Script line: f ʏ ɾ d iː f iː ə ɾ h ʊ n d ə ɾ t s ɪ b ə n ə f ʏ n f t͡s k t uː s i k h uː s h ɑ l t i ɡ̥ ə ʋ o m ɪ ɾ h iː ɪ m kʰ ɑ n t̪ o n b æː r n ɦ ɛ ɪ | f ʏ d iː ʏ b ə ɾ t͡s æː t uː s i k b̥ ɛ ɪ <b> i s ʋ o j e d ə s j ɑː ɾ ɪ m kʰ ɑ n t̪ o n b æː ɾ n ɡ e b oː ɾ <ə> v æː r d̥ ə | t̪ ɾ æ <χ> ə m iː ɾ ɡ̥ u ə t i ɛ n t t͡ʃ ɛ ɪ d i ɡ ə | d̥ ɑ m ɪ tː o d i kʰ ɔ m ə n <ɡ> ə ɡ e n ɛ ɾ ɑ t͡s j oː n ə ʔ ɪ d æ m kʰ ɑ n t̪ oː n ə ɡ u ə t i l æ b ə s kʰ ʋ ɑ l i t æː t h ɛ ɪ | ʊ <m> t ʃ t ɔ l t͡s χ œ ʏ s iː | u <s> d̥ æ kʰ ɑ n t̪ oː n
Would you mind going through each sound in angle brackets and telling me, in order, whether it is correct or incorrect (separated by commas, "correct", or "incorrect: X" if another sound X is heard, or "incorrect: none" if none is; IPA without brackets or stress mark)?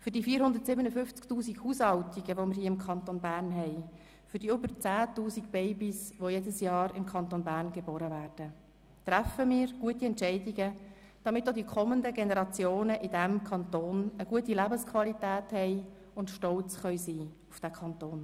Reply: correct, correct, incorrect: f, incorrect: d, incorrect: n, incorrect: f